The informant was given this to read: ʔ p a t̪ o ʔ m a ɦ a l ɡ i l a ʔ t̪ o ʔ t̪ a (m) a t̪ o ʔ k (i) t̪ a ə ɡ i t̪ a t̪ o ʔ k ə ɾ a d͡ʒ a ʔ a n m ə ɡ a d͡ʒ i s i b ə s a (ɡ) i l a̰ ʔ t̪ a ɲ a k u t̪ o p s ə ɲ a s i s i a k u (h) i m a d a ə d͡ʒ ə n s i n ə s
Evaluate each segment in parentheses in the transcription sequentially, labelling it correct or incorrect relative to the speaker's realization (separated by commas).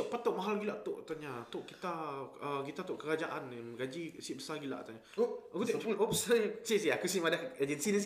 incorrect, correct, correct, incorrect